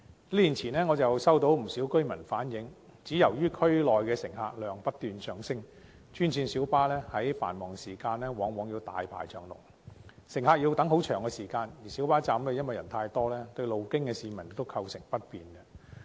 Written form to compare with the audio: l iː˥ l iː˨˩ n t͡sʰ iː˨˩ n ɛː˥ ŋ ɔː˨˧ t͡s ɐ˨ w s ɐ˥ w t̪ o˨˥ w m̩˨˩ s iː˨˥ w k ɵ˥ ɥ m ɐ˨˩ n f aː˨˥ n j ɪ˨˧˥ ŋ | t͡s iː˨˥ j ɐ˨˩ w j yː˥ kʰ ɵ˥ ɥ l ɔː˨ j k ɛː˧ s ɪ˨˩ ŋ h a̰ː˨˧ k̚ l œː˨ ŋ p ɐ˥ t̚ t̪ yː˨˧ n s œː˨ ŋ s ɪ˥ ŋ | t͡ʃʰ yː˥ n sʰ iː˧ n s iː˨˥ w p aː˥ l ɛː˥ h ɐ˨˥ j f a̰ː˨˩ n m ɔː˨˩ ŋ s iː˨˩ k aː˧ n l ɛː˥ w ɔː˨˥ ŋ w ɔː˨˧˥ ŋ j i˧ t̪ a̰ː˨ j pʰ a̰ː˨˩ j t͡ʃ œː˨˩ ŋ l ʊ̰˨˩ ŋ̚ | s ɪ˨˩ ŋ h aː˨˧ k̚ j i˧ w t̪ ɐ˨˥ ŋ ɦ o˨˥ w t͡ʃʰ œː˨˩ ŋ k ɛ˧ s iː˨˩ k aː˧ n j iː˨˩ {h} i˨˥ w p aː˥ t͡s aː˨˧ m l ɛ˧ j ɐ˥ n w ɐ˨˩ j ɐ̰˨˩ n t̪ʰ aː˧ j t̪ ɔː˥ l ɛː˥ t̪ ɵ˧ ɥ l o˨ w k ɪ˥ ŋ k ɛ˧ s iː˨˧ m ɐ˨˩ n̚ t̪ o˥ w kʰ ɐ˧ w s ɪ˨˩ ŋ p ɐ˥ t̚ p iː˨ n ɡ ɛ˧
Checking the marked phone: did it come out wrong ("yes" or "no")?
yes